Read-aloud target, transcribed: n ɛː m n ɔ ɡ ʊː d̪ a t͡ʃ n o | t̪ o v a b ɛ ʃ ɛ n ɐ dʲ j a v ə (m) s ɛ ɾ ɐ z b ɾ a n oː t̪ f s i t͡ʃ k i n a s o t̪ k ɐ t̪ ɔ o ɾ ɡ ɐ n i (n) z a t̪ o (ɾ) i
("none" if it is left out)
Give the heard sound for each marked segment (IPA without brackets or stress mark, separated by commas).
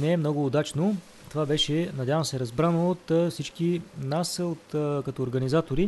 m, none, ɾ